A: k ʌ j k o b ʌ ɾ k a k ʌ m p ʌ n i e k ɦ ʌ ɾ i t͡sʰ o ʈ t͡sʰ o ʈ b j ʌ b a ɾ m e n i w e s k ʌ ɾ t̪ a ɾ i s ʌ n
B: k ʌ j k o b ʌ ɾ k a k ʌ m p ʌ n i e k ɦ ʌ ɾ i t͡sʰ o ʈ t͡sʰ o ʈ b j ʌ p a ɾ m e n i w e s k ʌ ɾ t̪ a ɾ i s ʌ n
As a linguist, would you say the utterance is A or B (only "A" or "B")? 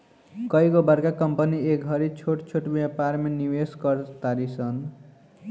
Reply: B